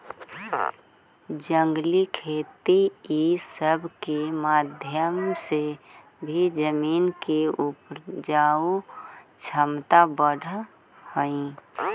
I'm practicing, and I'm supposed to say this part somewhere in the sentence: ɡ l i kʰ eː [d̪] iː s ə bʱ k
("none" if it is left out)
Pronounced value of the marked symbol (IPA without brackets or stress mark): t̪